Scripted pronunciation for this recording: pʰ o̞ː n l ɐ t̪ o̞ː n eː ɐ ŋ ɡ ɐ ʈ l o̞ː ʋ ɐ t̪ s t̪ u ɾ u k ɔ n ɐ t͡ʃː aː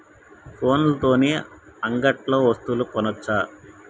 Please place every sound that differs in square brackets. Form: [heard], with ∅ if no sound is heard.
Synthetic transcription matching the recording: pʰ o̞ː n l ɐ t̪ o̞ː n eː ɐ ŋ ɡ ɐ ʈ l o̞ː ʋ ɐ [∅] s t̪ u [l] u k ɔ n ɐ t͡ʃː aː